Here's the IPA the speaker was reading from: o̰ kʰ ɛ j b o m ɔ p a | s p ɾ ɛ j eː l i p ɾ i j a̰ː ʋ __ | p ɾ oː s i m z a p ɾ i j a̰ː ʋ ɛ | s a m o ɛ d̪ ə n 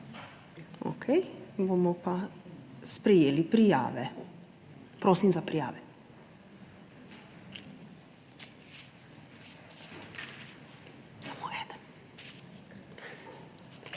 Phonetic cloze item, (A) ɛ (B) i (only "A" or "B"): A